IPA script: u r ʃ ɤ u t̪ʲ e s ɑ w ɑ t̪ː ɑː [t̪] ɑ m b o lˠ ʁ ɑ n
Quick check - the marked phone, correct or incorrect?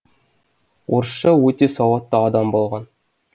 incorrect